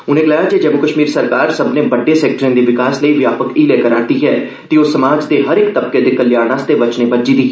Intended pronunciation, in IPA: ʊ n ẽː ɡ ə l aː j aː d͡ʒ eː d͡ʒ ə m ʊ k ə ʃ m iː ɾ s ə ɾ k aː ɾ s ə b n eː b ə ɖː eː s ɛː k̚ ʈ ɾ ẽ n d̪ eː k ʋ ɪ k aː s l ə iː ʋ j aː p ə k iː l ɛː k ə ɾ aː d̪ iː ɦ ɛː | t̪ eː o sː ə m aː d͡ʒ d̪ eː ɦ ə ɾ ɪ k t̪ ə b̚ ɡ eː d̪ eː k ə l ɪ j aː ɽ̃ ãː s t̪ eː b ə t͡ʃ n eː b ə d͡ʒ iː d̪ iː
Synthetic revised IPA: ʊ n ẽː ɡ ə l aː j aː d͡ʒ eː d͡ʒ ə m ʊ k ə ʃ m iː ɾ s ə ɾ k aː ɾ s ə b n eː b ə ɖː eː s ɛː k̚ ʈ ɾ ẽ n d̪ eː ʋ ɪ k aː s l ə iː ʋ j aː p ə k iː l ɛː k ə ɾ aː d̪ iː ɦ ɛː | t̪ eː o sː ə m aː d͡ʒ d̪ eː ɦ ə ɾ ɪ k t̪ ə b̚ k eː d̪ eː k ə l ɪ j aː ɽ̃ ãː s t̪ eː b ə t͡ʃ n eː b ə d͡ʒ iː d̪ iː

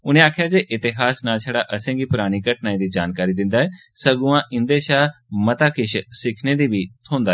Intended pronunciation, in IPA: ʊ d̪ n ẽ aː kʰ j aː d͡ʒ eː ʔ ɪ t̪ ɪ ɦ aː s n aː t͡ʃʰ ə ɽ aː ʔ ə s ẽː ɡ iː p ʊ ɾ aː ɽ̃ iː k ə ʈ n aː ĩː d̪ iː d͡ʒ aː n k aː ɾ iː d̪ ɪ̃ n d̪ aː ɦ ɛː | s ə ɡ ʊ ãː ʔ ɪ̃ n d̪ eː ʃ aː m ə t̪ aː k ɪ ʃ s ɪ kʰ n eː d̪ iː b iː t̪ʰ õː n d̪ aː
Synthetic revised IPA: ʊ n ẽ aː kʰ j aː d͡ʒ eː ʔ ɪ t̪ ɪ ɦ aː s n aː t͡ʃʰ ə ɽ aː ʔ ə s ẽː ɡ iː p ʊ ɾ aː ɽ̃ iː k ə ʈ n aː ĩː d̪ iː d͡ʒ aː n k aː ɾ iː d̪ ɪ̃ n d̪ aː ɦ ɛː | s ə ɡ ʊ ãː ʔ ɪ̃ n d̪ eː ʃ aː m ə t̪ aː k ɪ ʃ s ɪ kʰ n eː d̪ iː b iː t̪ʰ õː n d̪ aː

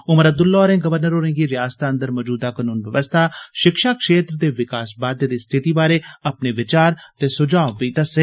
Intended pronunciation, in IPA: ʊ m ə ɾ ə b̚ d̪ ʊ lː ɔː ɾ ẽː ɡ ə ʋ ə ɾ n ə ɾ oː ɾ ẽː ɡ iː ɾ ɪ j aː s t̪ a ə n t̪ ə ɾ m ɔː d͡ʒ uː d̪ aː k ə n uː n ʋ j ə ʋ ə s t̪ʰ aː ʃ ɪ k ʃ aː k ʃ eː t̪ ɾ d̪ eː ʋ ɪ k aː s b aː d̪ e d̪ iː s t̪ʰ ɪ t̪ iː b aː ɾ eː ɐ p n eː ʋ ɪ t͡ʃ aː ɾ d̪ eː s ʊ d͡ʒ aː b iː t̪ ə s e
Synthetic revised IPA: ʊ m ə ɾ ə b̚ d̪ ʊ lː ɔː ɾ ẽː ɡ ə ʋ ə ɾ n ə ɾ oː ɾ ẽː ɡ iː ɾ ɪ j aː s t̪ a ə n d̪ ə ɾ m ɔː d͡ʒ uː d̪ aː k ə n uː n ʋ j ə ʋ ə s t̪ʰ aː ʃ ɪ k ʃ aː k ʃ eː t̪ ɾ d̪ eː ʋ ɪ k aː s b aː d̪ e d̪ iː s t̪ʰ ɪ t̪ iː b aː ɾ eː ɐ p n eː ʋ ɪ t͡ʃ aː ɾ t̪ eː s ʊ d͡ʒ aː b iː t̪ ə s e

